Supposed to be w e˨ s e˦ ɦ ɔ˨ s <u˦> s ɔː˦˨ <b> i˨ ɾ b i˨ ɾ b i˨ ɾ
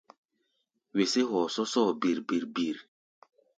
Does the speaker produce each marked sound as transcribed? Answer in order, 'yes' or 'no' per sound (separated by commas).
no, yes